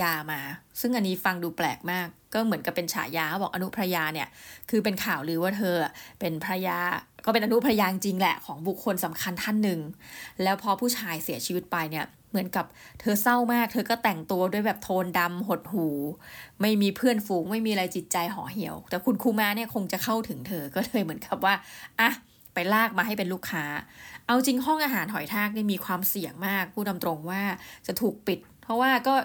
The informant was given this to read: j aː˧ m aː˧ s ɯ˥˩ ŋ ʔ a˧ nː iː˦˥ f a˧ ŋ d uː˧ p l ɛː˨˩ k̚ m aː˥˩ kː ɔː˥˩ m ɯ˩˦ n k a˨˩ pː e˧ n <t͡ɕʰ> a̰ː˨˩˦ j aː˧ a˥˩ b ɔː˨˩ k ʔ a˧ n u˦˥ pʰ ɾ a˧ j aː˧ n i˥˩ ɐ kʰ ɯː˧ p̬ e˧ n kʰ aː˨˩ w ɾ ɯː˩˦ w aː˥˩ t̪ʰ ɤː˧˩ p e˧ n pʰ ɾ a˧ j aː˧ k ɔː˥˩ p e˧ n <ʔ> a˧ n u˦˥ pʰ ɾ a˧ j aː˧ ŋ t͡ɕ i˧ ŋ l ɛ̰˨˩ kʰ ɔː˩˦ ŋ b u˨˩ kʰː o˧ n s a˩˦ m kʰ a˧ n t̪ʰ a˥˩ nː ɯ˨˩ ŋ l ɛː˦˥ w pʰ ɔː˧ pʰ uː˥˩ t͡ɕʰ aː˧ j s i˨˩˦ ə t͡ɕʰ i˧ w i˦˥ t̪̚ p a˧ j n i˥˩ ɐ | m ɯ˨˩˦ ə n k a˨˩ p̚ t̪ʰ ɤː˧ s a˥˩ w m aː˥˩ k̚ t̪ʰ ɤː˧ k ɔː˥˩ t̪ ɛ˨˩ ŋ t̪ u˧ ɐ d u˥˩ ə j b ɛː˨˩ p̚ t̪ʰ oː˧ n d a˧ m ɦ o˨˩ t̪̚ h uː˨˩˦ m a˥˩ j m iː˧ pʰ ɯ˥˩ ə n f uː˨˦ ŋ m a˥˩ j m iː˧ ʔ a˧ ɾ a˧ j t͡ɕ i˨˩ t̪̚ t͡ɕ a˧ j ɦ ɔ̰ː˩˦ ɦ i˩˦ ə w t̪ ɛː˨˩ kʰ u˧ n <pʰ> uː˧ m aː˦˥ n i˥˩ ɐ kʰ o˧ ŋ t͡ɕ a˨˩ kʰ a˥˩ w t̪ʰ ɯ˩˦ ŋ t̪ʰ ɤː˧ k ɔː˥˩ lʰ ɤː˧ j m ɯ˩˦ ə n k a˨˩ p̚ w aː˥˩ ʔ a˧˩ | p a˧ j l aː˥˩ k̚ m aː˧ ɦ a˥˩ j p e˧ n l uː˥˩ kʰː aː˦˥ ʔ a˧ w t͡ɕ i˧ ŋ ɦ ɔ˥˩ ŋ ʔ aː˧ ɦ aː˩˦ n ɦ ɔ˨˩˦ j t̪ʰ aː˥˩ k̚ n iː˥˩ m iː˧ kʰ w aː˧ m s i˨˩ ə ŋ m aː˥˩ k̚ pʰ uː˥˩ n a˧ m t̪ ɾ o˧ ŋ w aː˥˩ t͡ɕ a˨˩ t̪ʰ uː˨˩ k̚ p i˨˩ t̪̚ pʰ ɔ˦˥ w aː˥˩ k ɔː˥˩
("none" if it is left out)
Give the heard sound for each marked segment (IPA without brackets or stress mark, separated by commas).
t͡ɕʰ, ʔ, kʰ